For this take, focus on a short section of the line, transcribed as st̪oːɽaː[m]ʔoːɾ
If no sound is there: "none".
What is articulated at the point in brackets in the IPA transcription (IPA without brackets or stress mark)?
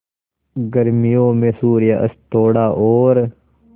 none